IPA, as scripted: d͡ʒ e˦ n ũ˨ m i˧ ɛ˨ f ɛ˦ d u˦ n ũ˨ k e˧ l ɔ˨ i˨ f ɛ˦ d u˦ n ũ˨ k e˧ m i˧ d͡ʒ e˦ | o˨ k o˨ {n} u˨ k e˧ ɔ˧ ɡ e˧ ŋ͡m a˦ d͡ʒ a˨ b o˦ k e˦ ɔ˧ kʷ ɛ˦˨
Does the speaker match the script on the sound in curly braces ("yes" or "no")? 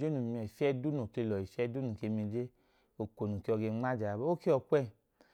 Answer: yes